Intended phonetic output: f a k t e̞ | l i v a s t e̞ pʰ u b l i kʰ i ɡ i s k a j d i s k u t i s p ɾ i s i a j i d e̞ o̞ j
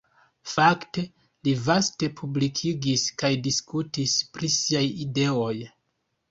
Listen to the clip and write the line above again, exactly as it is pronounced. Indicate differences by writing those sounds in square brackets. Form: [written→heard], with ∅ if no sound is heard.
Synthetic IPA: f a k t e̞ | l i v a s t e̞ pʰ u b l i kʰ i ɡ i s k a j d i s k u t i s p ɾ i s i a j i d e̞ o̞ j